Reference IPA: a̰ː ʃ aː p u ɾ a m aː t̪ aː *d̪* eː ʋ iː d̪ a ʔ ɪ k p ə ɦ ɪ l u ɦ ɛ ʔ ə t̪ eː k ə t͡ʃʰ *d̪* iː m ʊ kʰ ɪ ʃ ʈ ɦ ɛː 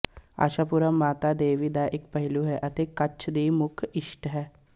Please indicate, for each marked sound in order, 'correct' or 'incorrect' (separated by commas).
correct, correct